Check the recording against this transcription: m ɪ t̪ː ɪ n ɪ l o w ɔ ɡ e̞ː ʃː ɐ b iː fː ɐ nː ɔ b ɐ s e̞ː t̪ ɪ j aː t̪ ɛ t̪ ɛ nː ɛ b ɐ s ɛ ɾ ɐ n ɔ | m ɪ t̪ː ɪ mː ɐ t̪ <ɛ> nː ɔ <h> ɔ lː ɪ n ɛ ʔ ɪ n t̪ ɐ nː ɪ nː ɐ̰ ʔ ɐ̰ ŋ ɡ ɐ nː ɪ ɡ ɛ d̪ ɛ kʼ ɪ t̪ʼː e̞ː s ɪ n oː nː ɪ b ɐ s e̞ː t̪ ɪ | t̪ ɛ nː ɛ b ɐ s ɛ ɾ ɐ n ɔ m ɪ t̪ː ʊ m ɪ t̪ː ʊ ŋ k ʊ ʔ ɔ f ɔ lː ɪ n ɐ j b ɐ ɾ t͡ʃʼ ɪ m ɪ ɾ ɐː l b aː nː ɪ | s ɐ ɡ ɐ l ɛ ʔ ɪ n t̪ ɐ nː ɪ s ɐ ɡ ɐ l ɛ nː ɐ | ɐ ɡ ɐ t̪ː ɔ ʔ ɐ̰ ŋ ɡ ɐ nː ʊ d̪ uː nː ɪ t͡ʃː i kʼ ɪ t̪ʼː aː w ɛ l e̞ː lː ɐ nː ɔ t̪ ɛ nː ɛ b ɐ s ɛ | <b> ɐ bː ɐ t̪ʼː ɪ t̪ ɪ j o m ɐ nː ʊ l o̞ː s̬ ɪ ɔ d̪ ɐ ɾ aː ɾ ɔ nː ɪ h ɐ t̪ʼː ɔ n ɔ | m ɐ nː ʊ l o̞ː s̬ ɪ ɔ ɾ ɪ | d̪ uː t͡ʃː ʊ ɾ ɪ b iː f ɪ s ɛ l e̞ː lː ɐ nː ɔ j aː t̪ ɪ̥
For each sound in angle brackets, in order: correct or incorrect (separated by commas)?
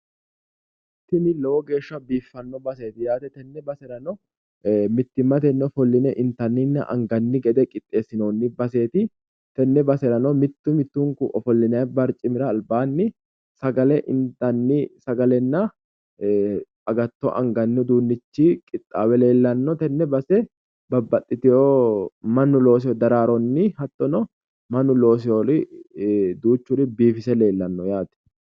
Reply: correct, incorrect, correct